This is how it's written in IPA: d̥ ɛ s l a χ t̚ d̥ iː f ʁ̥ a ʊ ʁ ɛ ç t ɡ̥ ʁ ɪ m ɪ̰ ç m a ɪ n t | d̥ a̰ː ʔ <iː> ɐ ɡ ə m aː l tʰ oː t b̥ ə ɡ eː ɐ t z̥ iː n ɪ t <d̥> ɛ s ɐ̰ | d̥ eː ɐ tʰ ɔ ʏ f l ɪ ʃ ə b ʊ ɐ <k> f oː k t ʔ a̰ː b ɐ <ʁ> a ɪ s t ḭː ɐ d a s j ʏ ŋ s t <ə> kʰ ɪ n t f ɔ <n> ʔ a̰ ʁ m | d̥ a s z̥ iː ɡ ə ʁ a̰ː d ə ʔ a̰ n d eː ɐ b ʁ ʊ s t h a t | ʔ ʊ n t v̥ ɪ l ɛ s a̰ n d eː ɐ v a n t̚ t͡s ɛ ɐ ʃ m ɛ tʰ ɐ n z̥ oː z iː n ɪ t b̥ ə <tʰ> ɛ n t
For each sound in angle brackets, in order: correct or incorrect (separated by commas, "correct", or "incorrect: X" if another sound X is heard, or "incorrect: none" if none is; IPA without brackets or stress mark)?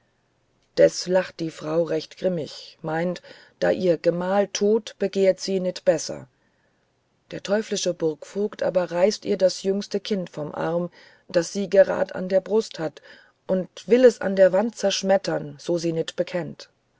correct, incorrect: b̥, correct, correct, correct, incorrect: m, incorrect: kʰ